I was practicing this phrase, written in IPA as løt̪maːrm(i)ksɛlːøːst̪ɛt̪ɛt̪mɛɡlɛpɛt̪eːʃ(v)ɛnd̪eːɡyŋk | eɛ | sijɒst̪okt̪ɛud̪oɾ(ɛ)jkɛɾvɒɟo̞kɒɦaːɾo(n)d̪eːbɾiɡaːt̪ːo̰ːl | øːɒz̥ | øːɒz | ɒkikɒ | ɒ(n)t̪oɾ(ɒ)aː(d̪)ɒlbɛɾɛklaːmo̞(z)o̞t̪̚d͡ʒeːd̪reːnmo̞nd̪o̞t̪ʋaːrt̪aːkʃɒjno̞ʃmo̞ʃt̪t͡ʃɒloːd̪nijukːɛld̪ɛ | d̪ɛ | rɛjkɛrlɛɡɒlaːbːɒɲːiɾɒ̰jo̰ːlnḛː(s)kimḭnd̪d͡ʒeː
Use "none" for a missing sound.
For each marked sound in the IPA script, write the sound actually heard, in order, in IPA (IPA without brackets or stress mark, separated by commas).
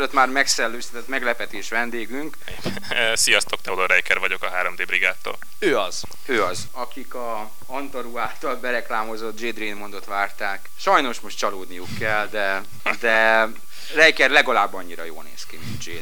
ɛ, ʋ, ɛ, m, n, u, t̪, z, s